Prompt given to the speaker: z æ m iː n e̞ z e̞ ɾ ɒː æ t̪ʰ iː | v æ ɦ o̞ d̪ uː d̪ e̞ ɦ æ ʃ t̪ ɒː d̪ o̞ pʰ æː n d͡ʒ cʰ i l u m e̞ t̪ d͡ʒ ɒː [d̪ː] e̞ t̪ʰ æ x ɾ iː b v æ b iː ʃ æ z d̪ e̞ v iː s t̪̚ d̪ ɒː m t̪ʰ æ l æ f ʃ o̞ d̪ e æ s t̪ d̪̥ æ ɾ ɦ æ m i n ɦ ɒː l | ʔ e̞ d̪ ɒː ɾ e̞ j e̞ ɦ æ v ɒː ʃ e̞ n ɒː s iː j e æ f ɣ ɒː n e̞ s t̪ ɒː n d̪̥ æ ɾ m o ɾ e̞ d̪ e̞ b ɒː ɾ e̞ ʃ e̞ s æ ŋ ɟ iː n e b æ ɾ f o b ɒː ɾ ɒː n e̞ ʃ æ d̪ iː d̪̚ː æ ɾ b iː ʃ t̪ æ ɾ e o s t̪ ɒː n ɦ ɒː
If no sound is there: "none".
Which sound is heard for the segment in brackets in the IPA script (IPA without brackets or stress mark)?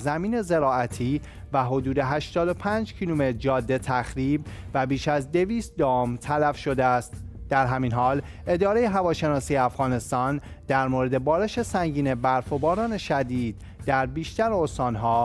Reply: d̪ː